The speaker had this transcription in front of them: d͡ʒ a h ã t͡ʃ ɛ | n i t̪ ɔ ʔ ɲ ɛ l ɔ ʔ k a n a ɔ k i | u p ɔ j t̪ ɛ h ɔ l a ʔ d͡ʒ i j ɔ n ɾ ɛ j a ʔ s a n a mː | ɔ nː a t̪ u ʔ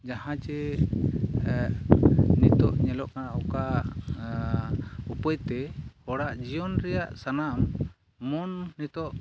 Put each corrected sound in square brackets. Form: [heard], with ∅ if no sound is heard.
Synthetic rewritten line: d͡ʒ a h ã t͡ʃ ɛ | n i t̪ ɔ ʔ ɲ ɛ l ɔ ʔ k a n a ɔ k [a] | u p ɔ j t̪ ɛ h ɔ [ɽ] a ʔ d͡ʒ i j ɔ n ɾ ɛ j a ʔ s a n a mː | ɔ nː [i] t̪ [ɔ] ʔ